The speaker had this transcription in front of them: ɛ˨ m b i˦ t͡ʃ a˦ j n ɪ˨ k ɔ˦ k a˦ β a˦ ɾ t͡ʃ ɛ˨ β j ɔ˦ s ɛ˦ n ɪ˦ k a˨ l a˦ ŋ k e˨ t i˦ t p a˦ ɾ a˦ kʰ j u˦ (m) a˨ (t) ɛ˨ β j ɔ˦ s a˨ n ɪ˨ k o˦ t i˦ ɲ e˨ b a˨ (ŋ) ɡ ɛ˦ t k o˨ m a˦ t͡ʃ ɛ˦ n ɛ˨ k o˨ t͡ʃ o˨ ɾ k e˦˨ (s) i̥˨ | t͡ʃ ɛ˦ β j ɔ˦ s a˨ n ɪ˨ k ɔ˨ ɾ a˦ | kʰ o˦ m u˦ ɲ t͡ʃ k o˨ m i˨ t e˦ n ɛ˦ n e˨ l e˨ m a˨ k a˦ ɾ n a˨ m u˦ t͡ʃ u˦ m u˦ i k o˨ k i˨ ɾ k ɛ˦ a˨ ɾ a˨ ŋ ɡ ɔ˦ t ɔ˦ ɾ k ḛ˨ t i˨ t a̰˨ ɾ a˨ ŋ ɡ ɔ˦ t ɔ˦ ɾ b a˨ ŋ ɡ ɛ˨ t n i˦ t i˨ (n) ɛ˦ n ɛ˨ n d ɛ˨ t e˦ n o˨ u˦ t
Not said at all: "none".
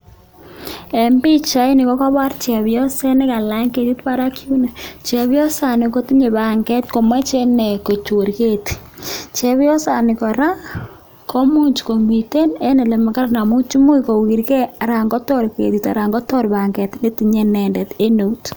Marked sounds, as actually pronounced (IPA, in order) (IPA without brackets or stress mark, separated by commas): n, t͡ʃ, ŋ, t, ɲ